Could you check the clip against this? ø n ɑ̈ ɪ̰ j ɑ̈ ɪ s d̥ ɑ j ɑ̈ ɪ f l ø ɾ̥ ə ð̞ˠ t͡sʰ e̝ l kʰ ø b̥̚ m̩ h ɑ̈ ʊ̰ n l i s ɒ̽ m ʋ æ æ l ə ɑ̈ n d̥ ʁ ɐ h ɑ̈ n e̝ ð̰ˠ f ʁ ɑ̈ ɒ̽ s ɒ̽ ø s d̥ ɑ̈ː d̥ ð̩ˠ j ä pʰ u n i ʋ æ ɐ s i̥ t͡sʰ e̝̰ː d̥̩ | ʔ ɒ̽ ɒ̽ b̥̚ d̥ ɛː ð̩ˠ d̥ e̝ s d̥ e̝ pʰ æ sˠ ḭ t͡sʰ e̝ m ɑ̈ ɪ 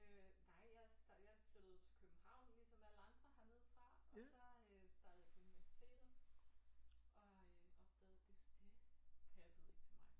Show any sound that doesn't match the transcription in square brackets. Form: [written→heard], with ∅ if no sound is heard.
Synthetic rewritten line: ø n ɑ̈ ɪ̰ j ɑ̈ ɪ s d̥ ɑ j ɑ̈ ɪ f l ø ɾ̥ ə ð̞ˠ t͡sʰ e̝ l kʰ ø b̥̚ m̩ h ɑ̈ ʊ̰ n l i s ɒ̽ m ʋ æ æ l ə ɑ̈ n d̥ ʁ ɐ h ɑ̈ n e̝ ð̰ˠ f ʁ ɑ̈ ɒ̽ s ɒ̽ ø s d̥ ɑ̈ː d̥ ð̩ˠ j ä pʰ u n i ʋ æ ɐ s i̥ t͡sʰ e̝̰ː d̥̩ | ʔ ɒ̽ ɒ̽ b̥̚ d̥ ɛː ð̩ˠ d̥ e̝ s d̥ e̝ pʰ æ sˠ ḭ t͡sʰ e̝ m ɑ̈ ɪ